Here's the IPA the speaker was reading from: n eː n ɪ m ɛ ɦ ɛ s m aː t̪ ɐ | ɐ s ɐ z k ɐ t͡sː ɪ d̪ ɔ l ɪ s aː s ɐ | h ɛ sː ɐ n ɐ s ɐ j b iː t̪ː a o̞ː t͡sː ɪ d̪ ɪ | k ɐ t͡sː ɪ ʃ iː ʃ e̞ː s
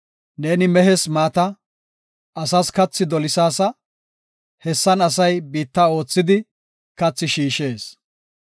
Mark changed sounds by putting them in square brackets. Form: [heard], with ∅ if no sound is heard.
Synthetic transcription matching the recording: n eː n ɪ m ɛ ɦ ɛ s m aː t̪ ɐ | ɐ s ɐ [s] k ɐ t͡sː ɪ d̪ ɔ l ɪ s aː s ɐ | h ɛ sː ɐ n ɐ s ɐ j b iː t̪ː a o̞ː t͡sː ɪ d̪ ɪ | k ɐ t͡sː ɪ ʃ iː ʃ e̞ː s